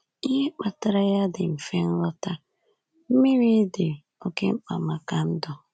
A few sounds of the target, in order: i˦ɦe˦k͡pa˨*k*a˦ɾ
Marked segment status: incorrect: t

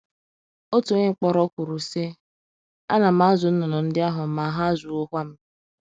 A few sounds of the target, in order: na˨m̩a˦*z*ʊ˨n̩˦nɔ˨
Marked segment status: correct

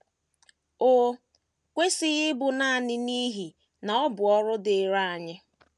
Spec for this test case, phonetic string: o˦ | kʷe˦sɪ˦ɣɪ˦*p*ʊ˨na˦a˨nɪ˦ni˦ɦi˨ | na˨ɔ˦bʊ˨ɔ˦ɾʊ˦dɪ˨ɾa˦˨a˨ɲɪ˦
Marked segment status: incorrect: b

